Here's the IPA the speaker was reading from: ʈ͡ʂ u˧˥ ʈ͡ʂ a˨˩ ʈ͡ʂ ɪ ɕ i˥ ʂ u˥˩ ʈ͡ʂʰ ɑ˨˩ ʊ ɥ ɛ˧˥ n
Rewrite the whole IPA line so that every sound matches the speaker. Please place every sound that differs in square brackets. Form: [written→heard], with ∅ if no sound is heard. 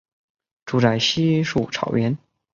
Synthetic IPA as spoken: ʈ͡ʂ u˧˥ ʈ͡ʂ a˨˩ [ʈ͡ʂ→∅] ɪ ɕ i˥ ʂ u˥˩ ʈ͡ʂʰ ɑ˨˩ ʊ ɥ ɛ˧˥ n